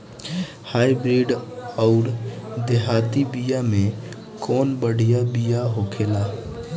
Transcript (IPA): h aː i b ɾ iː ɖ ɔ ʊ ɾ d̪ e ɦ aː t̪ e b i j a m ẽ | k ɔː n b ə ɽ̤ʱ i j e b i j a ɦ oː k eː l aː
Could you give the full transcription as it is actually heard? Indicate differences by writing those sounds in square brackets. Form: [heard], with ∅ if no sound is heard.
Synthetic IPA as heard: h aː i b ɾ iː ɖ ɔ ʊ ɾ d̪ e ɦ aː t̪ [i] b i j a m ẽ | k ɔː n b ə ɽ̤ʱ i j [a] b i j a ɦ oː [kʰ] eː l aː